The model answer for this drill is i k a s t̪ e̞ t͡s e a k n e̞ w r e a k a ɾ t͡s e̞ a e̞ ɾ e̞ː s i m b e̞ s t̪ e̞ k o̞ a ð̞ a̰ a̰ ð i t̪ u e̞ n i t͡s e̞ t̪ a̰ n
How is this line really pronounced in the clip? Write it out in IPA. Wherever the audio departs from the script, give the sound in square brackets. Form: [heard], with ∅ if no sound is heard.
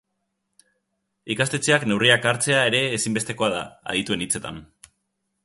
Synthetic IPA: i k a s t̪ e̞ t͡s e a k n e̞ w r [i] a k a ɾ t͡s e̞ a e̞ ɾ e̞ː s i m b e̞ s t̪ e̞ k o̞ a ð̞ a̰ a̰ ð i t̪ u e̞ n i t͡s e̞ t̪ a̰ n